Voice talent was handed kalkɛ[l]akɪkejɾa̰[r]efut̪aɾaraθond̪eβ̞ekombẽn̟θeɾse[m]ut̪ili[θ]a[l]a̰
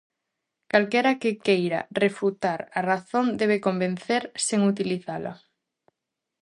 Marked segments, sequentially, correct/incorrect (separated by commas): incorrect, correct, incorrect, correct, correct